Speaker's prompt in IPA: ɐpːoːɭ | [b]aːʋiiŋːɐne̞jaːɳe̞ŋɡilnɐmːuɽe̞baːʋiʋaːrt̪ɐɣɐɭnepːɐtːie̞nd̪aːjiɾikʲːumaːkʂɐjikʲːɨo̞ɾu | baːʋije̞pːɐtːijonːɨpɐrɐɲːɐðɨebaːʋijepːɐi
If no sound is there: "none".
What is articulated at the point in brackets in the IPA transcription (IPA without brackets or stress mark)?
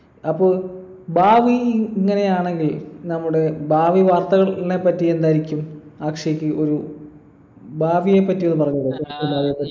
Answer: b